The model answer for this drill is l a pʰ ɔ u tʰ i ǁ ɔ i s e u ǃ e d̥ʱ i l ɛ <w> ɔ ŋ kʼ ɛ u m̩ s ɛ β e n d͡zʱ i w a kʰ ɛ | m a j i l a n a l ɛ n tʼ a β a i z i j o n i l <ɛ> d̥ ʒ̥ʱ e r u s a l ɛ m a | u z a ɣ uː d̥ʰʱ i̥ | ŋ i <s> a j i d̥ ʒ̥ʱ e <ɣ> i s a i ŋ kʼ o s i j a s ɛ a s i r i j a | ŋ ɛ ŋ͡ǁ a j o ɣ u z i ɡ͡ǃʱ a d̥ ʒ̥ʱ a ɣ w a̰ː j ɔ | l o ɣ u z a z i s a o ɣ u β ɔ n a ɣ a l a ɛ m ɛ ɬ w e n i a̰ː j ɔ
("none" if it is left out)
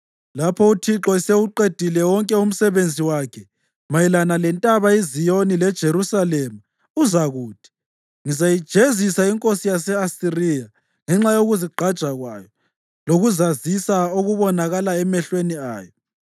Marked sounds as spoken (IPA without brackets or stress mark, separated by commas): w, ɛ, z, z